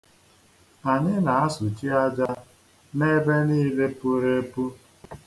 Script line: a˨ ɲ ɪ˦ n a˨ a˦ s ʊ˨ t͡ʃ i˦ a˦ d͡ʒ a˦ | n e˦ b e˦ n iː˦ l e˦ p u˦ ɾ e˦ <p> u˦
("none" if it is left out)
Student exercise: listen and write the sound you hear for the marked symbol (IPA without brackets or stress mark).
p